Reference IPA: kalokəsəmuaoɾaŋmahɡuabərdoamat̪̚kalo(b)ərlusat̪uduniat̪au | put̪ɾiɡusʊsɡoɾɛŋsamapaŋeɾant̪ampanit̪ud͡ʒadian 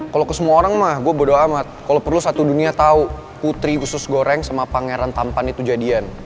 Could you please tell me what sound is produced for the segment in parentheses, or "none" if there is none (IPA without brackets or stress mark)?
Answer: p